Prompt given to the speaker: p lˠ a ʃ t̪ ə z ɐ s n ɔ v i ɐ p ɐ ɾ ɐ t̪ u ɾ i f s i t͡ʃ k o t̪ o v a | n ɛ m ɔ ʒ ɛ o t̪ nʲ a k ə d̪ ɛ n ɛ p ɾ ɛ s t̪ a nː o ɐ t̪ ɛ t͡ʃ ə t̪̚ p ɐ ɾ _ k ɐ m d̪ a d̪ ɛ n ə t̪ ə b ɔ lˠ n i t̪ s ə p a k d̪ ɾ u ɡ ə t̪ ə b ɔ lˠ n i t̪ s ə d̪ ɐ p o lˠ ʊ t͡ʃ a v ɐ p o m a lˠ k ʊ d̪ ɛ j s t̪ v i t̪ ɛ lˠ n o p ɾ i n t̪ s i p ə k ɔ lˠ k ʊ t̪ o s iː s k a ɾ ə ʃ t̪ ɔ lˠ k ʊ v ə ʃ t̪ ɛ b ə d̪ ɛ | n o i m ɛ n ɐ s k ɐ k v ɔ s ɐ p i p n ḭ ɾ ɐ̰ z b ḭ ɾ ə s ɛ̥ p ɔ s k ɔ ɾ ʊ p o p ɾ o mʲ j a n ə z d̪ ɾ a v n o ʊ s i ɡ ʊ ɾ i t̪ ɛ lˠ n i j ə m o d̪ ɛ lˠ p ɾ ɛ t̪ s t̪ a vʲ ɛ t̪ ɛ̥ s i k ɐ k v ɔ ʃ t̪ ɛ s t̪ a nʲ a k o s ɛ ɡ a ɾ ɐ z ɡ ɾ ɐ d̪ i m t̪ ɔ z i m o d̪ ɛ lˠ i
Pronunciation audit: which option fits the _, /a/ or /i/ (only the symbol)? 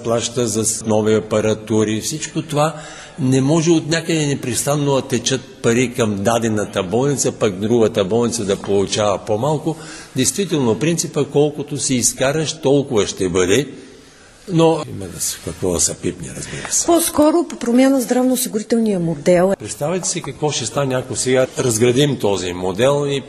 i